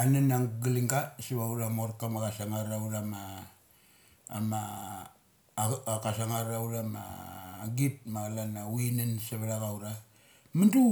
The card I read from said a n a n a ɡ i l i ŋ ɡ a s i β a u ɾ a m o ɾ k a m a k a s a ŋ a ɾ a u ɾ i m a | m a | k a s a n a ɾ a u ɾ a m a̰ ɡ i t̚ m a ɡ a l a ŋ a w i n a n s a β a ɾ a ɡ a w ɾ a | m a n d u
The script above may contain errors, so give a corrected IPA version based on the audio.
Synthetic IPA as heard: a n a n a ɡ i l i ŋ ɡ a s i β a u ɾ a m o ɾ k a m a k a s a ŋ a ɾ a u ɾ a m a | m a | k a s a ŋ a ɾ a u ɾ a m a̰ ɡ i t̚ m a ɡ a l a n a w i n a n s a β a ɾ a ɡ a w ɾ a | m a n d u

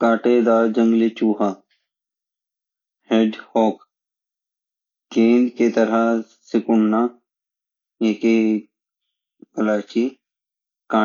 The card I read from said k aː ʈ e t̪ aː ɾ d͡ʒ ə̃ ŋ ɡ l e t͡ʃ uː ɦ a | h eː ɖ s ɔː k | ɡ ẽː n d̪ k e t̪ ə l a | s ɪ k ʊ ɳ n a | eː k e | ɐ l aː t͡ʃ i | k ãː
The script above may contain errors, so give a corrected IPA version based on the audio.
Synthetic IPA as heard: k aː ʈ e d̪ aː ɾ d͡ʒ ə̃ ŋ ɡ l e t͡ʃ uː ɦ a | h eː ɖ h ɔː k | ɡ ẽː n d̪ k e t̪ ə ɾ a | s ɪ k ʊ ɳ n a | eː k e | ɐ l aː t͡ʃ i | k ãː

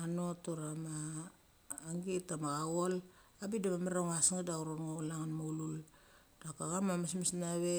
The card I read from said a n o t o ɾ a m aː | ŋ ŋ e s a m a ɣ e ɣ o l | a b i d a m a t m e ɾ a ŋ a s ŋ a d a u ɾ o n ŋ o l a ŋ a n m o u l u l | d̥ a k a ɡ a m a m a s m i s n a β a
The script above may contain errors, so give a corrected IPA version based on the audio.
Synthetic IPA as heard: a n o t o ɾ a m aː | ŋ ɡ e t a m a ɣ a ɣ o l | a b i d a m a m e ɾ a ŋ a s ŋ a d a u ɾ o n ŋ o l a ŋ a n m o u l u l | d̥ a k a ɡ a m a m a s m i s n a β e

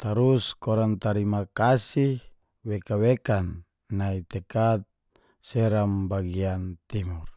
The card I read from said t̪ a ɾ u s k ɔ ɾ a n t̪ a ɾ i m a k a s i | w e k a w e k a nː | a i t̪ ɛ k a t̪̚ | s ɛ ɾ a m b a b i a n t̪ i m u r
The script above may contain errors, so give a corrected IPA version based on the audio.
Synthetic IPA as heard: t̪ a ɾ u s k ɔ ɾ a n t̪ a ɾ i m a k a s i | w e k a w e k a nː | a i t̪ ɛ k a t̪̚ | s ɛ ɾ a m b a ɡ i a n t̪ i m u r

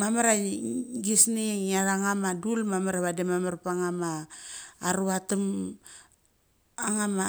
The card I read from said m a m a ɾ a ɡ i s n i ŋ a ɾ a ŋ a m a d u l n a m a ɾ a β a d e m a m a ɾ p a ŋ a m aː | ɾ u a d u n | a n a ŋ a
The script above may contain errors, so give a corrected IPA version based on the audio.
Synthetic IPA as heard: m a m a ɾ a ɡ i s n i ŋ a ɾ a ŋ a m a d u l m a m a ɾ a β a d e m a m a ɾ p a ŋ a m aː | ɾ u a t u m | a ŋ a m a

